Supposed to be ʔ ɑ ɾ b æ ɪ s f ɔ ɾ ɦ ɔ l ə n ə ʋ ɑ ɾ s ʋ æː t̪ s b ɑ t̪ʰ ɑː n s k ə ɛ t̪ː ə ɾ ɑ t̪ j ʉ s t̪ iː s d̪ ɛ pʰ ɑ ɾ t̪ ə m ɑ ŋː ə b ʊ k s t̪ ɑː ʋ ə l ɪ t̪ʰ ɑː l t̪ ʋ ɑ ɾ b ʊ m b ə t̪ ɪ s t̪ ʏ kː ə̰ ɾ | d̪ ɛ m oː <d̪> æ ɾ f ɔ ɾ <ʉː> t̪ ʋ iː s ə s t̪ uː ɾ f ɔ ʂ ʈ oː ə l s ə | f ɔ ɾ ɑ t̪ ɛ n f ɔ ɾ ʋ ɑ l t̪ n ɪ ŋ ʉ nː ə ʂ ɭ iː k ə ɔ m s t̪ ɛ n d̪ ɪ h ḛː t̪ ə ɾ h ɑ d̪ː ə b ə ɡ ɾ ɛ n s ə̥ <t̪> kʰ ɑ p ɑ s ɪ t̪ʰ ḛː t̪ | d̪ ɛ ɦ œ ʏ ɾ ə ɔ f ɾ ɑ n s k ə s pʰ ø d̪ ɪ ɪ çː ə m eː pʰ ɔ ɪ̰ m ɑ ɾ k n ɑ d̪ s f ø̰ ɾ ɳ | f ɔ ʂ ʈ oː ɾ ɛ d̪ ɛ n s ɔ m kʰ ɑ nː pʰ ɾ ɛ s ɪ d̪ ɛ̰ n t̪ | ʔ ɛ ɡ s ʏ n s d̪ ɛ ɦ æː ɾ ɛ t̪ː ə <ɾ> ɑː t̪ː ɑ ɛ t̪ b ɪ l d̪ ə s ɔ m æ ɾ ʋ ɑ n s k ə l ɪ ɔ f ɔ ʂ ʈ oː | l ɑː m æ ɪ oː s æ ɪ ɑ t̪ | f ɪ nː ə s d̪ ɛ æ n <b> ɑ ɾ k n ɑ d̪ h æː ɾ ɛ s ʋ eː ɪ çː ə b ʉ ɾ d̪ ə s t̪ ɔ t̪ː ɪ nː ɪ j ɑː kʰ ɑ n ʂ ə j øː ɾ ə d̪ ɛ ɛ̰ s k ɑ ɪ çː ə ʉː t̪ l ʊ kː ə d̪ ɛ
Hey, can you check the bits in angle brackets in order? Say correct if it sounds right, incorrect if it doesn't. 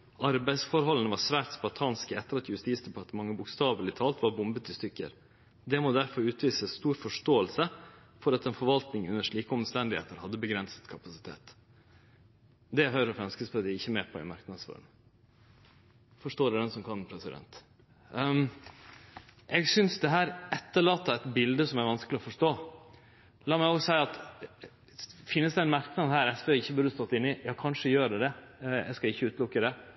correct, correct, correct, incorrect: ɭ, incorrect: m

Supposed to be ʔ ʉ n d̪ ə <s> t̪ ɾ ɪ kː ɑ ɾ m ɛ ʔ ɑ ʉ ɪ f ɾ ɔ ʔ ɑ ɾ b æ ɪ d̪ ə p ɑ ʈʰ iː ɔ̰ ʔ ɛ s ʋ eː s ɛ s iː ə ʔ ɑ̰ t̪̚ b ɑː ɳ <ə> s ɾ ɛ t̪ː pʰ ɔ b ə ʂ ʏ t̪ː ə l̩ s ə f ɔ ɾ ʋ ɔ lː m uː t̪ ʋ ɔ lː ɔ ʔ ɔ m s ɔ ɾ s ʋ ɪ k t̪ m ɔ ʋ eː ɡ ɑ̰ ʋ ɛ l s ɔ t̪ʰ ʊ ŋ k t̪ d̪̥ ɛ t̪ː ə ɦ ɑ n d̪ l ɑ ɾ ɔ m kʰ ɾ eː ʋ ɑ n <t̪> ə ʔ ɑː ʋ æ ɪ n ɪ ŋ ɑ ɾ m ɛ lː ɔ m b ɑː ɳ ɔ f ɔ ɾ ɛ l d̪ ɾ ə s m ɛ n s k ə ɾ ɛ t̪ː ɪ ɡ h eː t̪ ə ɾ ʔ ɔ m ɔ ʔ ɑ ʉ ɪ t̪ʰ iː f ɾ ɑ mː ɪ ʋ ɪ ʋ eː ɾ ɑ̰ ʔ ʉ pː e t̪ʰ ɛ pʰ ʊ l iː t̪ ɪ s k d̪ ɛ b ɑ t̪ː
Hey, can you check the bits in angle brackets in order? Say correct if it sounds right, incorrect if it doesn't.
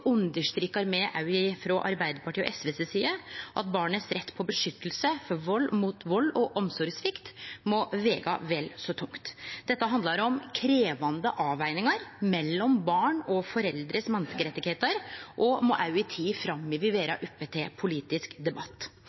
incorrect: ʂ, correct, incorrect: d̪

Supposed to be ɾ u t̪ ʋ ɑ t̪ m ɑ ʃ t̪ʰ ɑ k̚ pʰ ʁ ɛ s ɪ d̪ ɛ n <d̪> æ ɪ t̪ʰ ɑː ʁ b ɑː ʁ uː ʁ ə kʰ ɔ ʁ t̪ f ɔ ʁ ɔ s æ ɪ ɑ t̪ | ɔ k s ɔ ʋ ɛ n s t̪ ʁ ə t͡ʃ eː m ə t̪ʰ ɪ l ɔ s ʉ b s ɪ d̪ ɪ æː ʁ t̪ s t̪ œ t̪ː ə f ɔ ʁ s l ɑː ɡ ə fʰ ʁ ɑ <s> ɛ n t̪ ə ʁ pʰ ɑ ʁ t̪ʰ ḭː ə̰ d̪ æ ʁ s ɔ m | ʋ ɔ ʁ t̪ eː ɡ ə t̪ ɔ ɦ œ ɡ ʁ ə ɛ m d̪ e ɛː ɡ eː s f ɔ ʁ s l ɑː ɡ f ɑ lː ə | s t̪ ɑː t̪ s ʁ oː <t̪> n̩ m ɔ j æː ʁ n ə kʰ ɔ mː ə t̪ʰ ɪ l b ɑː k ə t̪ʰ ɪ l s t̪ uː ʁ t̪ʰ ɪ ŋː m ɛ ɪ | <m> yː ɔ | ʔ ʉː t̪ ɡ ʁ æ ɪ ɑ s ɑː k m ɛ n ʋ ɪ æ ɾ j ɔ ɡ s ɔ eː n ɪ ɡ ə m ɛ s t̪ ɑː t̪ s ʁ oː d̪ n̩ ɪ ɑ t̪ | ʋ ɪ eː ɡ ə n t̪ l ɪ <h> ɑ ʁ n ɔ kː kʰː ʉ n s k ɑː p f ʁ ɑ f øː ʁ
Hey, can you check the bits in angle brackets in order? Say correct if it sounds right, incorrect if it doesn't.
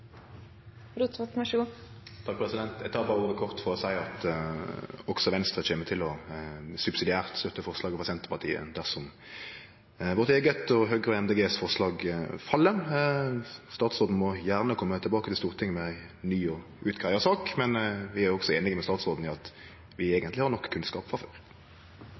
incorrect: t̪, correct, incorrect: d̪, incorrect: n, correct

